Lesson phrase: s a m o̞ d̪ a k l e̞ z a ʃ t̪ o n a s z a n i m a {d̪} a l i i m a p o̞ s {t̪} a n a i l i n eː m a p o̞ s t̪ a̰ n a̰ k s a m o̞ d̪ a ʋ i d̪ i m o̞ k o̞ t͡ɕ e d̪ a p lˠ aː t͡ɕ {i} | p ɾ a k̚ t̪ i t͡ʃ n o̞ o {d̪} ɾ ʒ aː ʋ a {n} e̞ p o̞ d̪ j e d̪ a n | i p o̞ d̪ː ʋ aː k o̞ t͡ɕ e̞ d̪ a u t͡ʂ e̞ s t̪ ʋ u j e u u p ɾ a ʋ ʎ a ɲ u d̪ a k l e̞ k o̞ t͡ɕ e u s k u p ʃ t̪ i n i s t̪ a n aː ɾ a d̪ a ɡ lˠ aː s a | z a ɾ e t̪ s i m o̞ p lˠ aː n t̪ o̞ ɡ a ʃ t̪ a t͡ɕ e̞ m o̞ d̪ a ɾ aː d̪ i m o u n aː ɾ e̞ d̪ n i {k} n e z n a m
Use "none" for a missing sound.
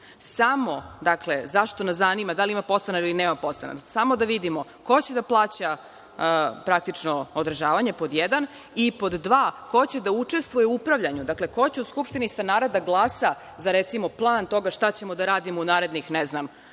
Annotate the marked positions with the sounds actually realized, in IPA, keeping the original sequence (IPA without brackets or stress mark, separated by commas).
d̪, t̪, a, d̪, ɲ, x